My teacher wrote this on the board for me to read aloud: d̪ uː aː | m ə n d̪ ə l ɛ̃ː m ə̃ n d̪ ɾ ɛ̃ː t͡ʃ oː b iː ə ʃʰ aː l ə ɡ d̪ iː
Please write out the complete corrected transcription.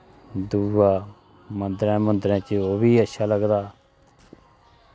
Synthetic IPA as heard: d̪ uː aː | m ə n d̪ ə ɾ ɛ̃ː m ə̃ n d̪ ɾ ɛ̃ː t͡ʃ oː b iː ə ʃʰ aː l ə ɡ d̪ aː